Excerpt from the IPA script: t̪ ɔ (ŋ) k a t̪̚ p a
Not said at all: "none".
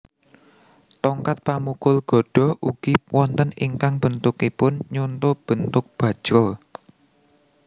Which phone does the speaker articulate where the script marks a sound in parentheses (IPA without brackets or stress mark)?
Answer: ŋ